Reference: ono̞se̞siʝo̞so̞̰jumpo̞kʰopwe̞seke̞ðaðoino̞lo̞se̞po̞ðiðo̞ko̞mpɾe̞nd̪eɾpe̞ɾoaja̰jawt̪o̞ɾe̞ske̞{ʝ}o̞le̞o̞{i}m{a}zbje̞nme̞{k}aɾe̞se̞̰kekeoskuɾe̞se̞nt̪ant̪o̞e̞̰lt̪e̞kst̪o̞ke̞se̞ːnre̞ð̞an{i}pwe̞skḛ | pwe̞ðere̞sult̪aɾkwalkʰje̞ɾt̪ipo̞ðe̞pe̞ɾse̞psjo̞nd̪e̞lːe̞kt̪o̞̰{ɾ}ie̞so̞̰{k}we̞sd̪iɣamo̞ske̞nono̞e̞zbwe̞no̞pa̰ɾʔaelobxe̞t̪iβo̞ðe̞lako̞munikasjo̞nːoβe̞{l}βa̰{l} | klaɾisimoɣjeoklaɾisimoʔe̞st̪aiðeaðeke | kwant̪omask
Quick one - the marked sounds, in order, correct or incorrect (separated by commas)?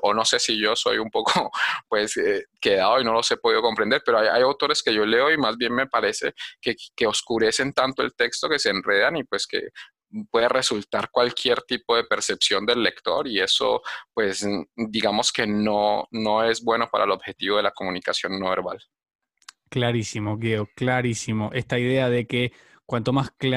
correct, correct, correct, incorrect, correct, correct, incorrect, incorrect, correct